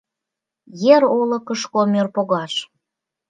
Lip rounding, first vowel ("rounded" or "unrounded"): unrounded